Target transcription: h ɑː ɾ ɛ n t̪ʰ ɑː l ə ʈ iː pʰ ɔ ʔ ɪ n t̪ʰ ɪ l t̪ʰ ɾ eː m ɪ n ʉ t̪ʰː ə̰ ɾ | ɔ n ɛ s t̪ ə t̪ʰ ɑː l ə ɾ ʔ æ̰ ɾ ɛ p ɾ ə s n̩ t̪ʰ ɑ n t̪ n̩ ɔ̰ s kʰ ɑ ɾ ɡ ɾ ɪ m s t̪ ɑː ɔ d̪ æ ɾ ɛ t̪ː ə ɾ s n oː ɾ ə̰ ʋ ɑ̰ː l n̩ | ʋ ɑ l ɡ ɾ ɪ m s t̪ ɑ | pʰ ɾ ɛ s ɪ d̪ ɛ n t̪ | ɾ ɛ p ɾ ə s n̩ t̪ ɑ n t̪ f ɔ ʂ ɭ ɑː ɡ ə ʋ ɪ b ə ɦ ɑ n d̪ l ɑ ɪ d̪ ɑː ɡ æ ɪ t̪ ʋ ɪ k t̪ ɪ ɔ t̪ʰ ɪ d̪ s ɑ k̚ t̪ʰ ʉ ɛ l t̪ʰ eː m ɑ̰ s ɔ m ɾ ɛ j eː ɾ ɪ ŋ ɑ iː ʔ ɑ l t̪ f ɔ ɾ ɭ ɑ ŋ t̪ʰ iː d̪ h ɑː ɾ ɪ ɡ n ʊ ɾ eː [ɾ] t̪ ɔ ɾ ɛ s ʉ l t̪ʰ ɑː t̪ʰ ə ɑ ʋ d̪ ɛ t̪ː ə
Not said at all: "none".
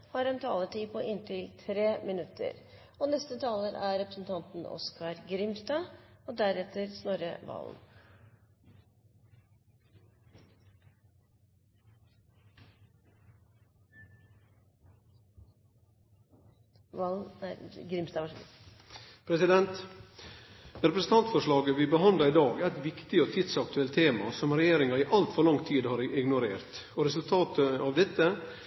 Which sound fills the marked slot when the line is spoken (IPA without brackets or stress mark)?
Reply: ɾ